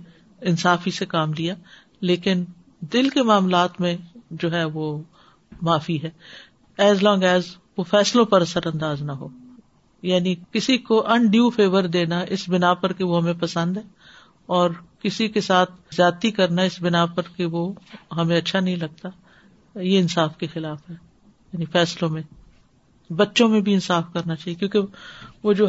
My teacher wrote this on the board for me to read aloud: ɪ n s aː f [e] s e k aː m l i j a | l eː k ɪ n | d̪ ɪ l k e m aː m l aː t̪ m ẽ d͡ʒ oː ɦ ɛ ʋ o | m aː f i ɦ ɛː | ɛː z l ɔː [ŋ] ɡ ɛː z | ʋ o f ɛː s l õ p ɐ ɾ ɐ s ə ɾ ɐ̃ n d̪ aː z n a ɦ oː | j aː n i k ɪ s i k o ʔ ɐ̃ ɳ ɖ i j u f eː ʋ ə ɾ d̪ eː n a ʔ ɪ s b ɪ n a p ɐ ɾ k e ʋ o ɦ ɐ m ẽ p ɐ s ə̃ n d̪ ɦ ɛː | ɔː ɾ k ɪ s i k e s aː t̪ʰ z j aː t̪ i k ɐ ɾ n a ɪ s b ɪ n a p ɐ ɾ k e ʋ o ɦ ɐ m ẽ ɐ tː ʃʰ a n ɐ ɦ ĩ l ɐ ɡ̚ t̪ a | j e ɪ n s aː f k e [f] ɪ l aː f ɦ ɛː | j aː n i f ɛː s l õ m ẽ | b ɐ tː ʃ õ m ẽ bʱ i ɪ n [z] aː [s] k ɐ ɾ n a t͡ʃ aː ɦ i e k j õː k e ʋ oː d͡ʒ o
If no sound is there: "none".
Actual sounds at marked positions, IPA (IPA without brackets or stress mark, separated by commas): i, ŋ, x, s, f